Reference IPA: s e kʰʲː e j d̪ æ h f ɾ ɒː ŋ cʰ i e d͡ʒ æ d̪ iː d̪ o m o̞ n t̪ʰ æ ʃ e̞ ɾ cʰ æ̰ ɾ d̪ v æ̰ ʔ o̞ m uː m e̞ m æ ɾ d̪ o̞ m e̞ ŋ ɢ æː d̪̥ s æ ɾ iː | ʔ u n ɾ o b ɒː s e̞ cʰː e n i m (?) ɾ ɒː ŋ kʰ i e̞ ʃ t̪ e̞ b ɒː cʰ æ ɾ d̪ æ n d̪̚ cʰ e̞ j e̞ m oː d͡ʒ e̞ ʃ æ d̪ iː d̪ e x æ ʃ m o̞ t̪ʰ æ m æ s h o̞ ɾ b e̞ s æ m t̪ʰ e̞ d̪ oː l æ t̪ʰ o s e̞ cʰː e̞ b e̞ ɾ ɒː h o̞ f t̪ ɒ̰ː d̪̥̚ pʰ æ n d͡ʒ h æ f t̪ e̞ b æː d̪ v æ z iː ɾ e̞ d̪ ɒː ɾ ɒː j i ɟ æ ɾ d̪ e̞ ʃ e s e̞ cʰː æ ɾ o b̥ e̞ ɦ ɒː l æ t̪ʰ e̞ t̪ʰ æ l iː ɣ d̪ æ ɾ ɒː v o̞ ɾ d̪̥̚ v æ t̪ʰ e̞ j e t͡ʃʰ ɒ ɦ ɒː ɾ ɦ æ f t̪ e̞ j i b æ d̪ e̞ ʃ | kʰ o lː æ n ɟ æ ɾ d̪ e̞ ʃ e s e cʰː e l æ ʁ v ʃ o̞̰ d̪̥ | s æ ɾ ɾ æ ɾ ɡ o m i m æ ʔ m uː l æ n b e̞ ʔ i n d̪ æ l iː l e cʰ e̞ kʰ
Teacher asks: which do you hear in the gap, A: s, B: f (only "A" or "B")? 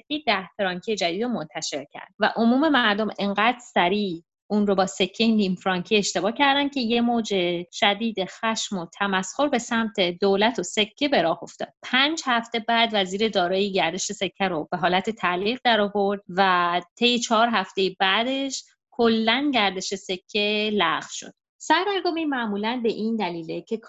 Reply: B